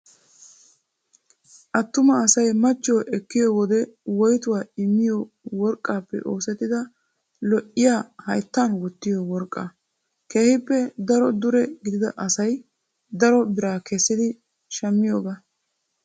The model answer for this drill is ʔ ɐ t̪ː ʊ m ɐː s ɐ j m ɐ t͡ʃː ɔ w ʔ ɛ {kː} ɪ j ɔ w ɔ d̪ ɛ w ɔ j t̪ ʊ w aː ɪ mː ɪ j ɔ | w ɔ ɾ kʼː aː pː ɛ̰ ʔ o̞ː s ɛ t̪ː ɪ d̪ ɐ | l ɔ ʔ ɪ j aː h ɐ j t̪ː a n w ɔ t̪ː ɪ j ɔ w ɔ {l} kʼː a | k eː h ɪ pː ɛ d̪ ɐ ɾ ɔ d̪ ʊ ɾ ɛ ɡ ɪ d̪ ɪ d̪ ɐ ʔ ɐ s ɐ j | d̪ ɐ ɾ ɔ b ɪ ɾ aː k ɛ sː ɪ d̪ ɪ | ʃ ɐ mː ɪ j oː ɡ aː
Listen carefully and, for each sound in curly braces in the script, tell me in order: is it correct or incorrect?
correct, incorrect

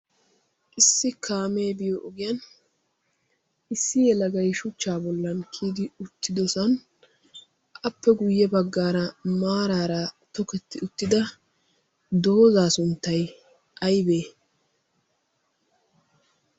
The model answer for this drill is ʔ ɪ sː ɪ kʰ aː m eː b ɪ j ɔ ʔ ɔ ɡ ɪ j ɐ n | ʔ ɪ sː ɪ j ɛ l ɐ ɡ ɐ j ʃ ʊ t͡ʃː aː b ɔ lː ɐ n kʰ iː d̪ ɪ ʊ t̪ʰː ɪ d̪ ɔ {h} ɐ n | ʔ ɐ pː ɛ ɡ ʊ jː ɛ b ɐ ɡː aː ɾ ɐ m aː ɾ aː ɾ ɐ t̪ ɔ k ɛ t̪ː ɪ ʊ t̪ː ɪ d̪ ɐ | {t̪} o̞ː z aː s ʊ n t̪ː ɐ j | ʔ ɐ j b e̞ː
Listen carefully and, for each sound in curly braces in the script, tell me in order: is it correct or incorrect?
incorrect, incorrect

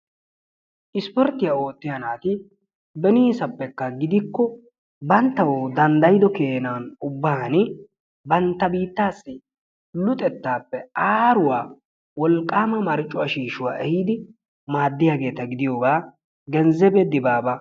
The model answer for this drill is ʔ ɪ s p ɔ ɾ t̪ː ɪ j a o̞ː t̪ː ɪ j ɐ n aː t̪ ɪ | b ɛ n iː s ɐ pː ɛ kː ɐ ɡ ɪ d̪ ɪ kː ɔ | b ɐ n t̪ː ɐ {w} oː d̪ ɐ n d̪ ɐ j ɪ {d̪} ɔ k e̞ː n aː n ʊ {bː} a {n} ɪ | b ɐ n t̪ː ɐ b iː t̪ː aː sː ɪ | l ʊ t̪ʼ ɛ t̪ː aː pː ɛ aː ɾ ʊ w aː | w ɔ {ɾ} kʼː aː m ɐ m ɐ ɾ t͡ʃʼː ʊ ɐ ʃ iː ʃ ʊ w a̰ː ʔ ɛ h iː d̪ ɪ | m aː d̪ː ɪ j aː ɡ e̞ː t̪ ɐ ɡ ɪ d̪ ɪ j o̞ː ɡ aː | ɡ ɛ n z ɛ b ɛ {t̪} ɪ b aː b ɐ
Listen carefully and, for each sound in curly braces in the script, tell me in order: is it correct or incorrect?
correct, correct, correct, correct, incorrect, incorrect

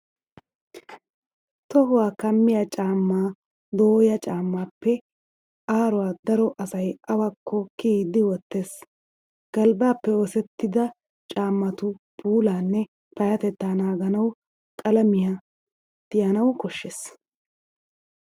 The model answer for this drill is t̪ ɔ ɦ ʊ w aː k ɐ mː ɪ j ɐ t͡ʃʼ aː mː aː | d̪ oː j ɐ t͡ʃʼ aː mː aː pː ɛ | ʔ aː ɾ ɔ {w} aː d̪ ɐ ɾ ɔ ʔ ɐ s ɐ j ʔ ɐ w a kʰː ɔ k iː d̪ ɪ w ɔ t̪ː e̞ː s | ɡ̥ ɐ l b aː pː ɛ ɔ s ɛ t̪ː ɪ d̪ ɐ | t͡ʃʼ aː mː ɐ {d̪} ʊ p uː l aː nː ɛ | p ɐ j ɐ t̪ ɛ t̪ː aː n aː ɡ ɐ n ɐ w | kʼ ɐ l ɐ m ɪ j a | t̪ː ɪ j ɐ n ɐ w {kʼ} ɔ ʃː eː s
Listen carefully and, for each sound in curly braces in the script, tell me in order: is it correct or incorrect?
correct, incorrect, incorrect

